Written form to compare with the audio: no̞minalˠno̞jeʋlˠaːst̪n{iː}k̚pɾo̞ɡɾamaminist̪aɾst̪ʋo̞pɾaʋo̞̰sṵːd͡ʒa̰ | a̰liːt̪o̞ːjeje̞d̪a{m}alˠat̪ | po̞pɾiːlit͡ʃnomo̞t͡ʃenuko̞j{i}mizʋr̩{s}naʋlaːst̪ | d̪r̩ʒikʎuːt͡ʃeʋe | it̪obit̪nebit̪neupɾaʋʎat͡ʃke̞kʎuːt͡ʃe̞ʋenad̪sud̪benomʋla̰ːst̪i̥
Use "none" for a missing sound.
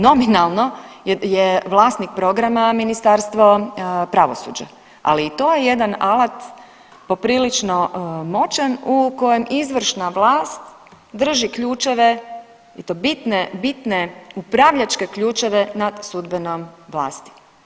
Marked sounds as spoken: i, n, e, ʃ

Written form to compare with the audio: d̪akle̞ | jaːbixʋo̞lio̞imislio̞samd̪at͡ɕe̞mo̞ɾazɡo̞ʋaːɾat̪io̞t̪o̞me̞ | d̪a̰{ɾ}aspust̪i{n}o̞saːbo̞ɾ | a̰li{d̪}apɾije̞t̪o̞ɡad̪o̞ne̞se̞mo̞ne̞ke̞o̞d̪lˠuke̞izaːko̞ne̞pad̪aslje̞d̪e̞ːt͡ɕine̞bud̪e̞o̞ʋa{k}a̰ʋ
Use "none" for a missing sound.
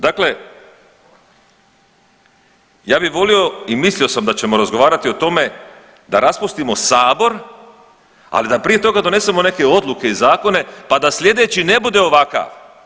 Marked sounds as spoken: ɾ, m, d̪, k

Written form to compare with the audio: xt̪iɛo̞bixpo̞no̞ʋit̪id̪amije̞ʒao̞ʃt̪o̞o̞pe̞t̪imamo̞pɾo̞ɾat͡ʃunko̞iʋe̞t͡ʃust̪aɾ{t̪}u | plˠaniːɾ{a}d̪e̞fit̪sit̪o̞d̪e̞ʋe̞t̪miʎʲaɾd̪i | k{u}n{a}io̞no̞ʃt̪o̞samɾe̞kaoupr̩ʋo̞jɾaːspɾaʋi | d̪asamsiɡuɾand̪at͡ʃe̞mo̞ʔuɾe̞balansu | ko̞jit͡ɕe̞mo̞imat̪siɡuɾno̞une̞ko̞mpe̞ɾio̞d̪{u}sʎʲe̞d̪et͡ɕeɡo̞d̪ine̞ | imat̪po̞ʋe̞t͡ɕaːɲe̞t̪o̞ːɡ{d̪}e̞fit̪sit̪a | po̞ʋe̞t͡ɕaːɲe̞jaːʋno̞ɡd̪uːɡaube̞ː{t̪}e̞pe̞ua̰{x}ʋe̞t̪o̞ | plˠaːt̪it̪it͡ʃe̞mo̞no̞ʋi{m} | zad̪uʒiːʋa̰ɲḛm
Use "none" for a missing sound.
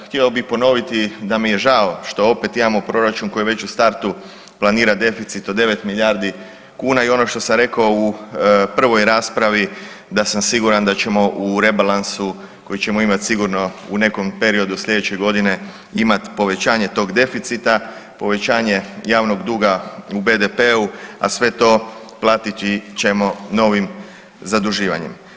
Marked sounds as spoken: t̪, a, uː, a, u, d̪, d̪, s, m

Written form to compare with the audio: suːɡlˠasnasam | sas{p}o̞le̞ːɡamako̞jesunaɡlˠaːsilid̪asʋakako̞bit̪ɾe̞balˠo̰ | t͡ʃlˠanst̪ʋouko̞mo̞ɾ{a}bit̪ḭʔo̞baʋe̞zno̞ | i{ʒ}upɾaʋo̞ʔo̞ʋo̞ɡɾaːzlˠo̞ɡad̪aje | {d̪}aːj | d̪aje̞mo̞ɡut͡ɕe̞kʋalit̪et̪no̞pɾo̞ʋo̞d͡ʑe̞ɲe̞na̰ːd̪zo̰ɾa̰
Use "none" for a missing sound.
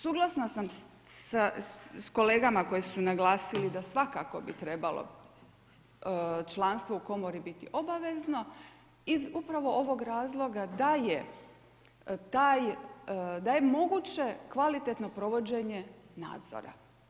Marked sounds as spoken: k, i, z, t̪

